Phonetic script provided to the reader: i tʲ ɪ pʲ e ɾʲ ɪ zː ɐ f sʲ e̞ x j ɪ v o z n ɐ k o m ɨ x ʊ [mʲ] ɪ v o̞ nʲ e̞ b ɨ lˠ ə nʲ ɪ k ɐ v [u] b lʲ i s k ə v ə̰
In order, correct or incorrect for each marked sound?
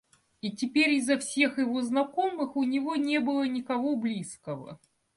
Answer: incorrect: nʲ, incorrect: o

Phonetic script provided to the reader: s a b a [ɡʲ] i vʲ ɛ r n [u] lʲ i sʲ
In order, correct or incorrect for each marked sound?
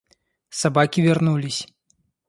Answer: incorrect: kʲ, correct

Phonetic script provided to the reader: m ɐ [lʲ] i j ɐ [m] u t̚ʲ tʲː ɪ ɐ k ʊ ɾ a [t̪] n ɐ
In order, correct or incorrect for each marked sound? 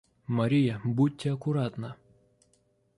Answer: incorrect: ɾʲ, incorrect: b, correct

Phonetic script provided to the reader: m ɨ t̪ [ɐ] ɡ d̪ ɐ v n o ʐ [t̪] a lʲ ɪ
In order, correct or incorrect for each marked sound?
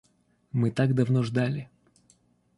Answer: incorrect: a, incorrect: d̪

